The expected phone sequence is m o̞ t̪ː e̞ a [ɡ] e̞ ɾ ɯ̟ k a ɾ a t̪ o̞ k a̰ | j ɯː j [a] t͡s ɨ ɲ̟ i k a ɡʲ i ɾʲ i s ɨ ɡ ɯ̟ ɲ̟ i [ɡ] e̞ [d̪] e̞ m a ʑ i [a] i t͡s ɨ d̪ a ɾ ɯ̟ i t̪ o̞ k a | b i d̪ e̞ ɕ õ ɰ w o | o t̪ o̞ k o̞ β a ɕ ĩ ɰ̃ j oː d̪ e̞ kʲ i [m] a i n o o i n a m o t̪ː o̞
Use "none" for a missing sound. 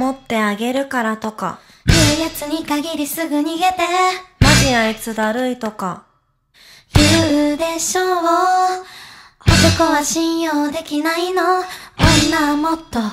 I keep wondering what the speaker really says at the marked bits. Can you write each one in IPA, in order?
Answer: ɡ, a, ɡ, t̪, a, n

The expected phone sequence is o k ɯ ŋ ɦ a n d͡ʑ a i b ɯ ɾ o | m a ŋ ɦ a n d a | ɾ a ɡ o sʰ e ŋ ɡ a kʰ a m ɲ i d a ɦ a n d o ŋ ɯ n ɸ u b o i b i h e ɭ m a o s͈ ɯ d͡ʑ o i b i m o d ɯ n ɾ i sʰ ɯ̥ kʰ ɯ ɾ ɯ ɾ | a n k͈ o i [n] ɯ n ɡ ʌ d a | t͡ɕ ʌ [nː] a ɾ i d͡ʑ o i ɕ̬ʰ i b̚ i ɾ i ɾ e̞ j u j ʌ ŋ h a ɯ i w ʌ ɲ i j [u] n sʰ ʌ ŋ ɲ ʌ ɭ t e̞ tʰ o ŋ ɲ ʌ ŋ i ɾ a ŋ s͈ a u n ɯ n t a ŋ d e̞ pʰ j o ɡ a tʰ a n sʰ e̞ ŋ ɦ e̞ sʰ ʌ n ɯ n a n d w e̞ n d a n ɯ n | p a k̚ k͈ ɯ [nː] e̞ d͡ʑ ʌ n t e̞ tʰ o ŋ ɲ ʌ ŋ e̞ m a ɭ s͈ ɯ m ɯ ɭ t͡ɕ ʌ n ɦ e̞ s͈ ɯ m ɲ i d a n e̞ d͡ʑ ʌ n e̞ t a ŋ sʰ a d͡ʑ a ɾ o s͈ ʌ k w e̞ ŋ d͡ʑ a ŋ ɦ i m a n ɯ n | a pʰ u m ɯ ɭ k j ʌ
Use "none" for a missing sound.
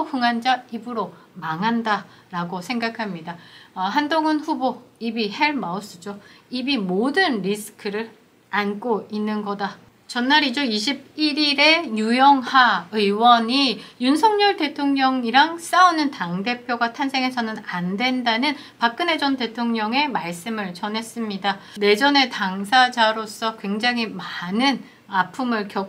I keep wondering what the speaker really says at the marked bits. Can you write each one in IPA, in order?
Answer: nː, nː, u, n

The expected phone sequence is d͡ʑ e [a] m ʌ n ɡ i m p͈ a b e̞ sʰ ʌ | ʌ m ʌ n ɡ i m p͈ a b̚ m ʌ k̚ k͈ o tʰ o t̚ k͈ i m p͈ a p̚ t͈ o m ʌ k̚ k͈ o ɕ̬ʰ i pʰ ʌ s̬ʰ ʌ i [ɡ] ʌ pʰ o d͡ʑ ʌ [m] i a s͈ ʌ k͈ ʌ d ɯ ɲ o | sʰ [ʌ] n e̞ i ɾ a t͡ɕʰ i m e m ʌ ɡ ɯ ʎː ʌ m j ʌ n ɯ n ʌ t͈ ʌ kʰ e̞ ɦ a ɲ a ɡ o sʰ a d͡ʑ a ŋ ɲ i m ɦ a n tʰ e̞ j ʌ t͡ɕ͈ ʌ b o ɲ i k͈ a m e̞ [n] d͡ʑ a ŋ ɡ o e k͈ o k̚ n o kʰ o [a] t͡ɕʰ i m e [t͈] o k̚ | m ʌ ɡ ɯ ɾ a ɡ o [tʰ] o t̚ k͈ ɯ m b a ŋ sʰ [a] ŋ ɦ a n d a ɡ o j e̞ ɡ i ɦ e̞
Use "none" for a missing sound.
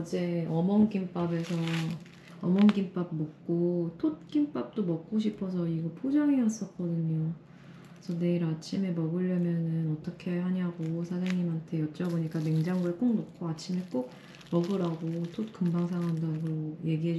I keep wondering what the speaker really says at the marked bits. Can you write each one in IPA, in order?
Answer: ʌ, ɡ, ŋ, ʌ, ŋ, a, k͈, tʰ, a

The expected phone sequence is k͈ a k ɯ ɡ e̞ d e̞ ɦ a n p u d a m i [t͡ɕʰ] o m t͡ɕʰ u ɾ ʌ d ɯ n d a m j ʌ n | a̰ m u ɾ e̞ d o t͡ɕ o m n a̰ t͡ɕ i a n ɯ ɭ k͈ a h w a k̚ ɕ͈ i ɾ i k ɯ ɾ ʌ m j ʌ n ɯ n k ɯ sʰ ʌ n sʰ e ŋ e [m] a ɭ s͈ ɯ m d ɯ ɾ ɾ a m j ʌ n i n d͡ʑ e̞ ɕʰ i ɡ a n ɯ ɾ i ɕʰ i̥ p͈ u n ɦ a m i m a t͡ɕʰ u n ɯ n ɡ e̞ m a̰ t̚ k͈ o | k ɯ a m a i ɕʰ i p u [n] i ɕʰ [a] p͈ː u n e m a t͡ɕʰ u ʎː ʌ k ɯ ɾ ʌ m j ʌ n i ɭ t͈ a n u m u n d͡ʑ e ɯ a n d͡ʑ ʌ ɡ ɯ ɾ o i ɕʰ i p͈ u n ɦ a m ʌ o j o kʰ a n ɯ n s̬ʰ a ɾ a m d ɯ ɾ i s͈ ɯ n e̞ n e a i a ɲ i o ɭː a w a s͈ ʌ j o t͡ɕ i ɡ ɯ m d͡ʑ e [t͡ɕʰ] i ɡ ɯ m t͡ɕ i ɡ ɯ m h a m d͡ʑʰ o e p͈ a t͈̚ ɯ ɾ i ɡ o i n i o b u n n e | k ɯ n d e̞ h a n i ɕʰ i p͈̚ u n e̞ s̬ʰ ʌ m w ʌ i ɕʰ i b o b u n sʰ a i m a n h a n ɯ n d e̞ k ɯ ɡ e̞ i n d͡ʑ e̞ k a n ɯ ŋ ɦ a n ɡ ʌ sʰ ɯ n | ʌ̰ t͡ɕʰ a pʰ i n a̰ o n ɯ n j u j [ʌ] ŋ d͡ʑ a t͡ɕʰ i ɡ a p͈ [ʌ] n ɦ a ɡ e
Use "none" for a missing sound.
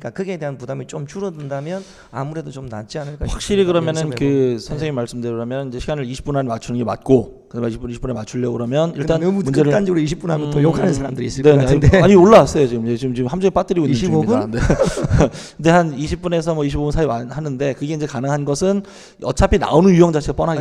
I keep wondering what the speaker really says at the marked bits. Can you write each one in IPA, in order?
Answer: t͡ɕ, m, n, i, t͡ɕ, ʌ, ʌ

